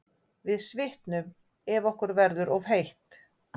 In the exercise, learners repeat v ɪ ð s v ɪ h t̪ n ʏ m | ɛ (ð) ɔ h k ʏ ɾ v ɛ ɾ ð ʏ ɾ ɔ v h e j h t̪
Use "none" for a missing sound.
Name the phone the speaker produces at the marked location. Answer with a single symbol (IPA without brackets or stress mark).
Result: v